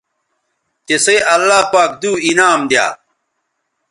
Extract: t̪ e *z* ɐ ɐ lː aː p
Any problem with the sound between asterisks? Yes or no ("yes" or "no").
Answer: yes